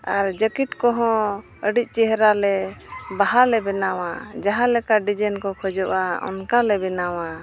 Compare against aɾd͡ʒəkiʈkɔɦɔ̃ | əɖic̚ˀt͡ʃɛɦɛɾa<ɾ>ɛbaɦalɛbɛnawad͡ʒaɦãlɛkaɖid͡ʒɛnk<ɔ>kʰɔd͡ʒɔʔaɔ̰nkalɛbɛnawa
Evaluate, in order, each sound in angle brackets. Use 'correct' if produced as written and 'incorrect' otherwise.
incorrect: l, correct

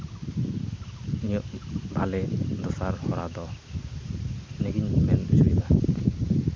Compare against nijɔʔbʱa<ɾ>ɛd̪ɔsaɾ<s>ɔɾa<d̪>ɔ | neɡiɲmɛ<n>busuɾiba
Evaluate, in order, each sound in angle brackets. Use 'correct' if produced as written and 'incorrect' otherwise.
incorrect: l, incorrect: h, correct, correct

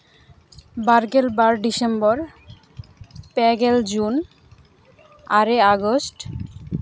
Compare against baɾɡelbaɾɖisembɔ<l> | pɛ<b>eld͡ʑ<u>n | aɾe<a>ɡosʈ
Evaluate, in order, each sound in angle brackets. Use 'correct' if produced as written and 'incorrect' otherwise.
incorrect: ɾ, incorrect: ɡ, correct, correct

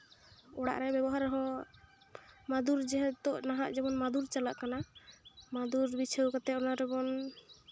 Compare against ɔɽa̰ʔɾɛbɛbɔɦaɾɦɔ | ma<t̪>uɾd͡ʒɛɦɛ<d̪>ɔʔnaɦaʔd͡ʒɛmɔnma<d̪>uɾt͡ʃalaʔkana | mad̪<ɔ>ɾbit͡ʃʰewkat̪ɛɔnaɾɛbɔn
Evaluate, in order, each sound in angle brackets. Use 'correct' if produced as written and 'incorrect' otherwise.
incorrect: d̪, incorrect: t̪, correct, incorrect: u

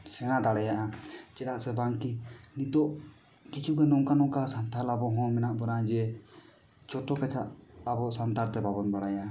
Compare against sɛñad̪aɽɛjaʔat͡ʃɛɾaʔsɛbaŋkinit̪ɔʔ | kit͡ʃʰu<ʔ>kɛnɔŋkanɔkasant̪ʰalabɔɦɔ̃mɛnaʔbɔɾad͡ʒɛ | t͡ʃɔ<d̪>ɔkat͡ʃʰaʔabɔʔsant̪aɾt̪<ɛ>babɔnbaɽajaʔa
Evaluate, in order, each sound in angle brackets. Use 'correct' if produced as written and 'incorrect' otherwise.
incorrect: none, incorrect: t̪, correct

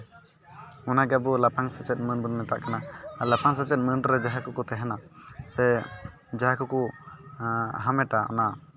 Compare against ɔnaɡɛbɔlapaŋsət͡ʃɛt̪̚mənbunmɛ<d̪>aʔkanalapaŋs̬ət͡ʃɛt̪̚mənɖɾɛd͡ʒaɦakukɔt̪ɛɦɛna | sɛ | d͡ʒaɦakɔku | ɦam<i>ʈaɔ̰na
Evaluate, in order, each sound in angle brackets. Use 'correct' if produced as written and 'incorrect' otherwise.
incorrect: t̪, incorrect: ɛ

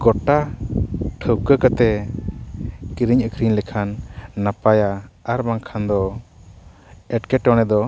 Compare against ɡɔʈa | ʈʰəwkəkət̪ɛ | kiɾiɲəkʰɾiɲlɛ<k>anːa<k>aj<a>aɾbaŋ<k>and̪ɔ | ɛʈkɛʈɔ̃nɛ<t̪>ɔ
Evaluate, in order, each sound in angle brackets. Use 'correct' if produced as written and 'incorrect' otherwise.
incorrect: kʰ, incorrect: p, correct, incorrect: kʰ, incorrect: d̪

